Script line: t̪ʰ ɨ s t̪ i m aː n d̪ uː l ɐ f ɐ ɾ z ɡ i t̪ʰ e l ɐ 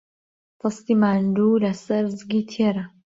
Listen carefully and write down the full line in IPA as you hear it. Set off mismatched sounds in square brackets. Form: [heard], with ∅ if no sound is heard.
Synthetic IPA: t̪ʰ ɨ s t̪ i m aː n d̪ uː l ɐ [s] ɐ ɾ z ɡ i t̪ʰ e [ɾ] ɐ